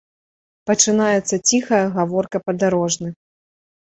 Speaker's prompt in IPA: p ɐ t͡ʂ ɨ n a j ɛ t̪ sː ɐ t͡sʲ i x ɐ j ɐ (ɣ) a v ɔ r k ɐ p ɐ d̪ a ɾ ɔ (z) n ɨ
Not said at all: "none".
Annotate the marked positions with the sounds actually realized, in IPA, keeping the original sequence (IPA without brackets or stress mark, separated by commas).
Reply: ɣ, ʐ